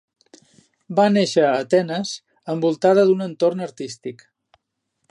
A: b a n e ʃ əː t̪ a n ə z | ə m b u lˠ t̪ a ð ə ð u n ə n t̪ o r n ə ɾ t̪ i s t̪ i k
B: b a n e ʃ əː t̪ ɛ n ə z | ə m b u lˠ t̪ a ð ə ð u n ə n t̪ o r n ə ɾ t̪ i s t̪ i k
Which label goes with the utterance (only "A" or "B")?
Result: B